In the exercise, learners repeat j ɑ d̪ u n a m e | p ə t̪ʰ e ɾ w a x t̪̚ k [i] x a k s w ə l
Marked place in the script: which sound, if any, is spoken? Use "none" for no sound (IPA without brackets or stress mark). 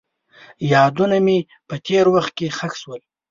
e